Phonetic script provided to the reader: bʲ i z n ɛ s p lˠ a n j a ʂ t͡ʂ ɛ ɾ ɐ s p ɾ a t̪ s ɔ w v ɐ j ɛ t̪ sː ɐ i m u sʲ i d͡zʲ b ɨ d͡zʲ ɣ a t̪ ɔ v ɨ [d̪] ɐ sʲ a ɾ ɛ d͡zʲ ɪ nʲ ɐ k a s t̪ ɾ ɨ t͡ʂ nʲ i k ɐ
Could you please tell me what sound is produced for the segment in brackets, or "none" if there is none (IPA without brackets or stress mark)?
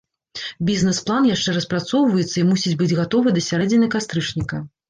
d̪